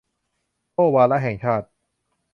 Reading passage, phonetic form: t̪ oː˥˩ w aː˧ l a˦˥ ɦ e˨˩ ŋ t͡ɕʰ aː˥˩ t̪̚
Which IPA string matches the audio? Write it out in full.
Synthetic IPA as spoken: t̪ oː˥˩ w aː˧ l a˦˥ ɦ ɛ˨˩ ŋ t͡ɕʰ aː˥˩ t̪̚